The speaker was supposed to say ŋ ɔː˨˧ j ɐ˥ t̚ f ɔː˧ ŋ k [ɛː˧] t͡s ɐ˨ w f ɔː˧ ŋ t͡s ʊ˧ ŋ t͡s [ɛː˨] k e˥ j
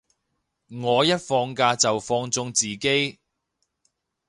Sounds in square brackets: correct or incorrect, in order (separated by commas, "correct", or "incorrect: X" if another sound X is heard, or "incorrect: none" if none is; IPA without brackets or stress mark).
incorrect: aː˧, incorrect: iː˨